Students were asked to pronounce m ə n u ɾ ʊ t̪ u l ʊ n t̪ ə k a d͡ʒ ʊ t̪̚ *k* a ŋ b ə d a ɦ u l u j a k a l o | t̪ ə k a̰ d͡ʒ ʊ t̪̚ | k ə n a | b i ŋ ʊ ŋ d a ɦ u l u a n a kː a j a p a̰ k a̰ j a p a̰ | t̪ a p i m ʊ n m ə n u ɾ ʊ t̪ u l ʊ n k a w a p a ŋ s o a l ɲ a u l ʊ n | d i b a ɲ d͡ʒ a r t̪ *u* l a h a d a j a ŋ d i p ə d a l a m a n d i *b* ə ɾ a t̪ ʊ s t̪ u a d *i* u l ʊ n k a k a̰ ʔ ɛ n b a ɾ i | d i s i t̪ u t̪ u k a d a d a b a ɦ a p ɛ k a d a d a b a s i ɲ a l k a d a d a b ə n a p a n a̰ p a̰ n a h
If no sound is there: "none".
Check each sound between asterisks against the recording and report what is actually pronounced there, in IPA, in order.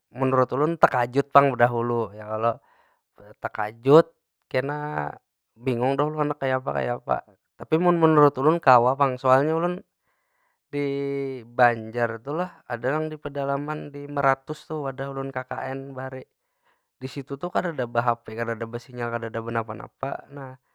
p, u, m, a

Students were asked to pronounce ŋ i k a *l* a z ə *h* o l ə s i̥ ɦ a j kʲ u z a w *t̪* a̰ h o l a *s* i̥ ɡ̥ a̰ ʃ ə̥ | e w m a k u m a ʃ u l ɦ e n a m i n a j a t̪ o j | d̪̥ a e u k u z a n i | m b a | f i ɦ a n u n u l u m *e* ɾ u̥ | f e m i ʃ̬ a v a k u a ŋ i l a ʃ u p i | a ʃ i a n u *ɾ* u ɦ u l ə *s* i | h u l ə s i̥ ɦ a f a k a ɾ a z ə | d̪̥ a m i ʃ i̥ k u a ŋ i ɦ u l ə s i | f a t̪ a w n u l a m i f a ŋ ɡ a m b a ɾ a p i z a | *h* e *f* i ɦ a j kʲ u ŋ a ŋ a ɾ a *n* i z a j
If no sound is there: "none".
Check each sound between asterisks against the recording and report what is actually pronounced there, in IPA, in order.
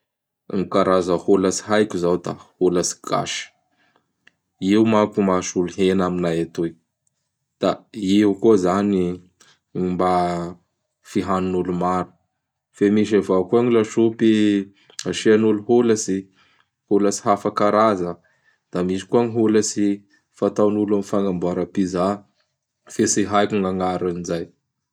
ɾ, h, d̪, s, a, l, s, f, s, n

